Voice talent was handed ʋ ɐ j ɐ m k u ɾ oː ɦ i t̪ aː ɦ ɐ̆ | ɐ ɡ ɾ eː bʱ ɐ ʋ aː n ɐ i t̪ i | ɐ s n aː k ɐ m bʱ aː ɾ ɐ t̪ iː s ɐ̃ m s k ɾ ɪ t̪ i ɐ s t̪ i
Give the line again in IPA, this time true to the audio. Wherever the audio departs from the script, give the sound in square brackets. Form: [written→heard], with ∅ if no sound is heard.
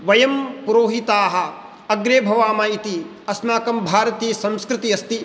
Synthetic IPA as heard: ʋ ɐ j ɐ m [k→p] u ɾ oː ɦ i t̪ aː ɦ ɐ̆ | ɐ ɡ ɾ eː bʱ ɐ ʋ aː [n→m] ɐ i t̪ i | ɐ s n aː k ɐ m bʱ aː ɾ ɐ t̪ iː s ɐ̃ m s k ɾ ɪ t̪ i ɐ s t̪ i